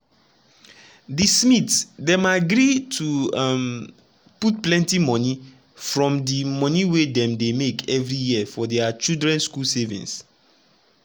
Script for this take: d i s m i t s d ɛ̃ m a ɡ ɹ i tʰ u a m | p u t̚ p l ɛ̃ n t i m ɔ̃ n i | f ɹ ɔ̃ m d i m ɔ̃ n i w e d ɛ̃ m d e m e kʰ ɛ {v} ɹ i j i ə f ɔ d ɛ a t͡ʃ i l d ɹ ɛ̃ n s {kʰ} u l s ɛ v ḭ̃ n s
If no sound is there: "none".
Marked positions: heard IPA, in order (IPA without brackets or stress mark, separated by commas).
v, k